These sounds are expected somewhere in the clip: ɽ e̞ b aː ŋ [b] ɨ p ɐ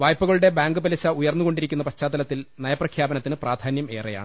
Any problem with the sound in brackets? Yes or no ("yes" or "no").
yes